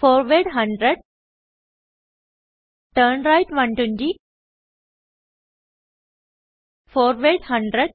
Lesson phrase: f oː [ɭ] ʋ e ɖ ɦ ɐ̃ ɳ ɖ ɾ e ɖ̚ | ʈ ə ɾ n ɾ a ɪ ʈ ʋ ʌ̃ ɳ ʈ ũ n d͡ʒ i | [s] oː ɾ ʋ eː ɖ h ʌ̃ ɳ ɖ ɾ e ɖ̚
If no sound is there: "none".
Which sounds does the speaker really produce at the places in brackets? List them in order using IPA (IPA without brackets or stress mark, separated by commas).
ɾ, f